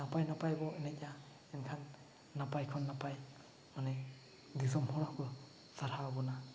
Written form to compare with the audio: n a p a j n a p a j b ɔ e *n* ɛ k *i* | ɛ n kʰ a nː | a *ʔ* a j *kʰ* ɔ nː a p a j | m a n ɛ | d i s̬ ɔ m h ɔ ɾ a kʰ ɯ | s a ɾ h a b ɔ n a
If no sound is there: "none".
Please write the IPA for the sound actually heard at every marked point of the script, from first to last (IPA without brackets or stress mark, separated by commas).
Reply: n, a, p, kʰ